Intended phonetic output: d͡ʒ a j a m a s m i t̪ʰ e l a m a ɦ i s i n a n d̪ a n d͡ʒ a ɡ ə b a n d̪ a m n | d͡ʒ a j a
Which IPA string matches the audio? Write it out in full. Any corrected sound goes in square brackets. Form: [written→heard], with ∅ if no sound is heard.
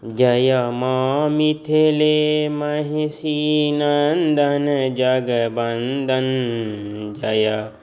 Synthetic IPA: d͡ʒ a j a m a [s→∅] m i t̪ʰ e l [a→e] m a ɦ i s i n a n d̪ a n d͡ʒ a ɡ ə b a n d̪ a [m→∅] n | d͡ʒ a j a